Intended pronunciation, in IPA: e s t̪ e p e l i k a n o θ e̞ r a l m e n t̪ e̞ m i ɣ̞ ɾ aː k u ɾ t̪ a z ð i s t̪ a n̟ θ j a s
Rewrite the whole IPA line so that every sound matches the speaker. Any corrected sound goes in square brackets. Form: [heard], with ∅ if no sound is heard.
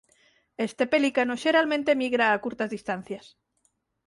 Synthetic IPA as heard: e s t̪ e p e l i k a n o [ʃ] e̞ [ɾ] a l m [ẽ] n t̪ e̞ m i ɣ̞ ɾ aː k u ɾ t̪ a z ð i s t̪ a n̟ θ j a s